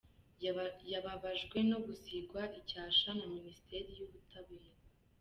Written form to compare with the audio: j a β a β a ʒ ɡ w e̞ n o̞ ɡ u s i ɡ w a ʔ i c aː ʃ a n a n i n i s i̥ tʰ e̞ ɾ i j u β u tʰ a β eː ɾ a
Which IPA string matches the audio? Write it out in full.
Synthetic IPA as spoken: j a β a β a ʒ ɡ w e̞ n o̞ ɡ u s i ɡ w a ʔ i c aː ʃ a n a m i n i s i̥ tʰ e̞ ɾ i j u β u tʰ a β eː ɾ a